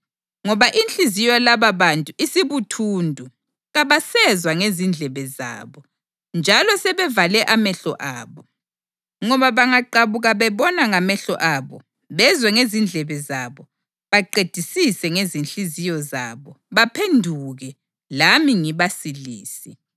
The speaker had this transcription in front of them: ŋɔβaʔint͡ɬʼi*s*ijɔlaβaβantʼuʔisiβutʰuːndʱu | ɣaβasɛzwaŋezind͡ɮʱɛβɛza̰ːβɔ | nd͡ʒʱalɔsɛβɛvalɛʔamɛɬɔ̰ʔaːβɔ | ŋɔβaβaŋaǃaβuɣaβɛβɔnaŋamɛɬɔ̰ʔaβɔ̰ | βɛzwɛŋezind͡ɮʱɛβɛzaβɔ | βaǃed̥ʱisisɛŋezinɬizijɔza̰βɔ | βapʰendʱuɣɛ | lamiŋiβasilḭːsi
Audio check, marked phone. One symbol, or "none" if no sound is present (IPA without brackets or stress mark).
z